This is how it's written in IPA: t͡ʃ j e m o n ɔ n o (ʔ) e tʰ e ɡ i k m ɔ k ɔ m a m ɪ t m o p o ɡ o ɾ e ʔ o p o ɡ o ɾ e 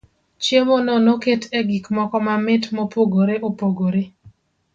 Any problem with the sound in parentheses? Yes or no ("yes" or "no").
yes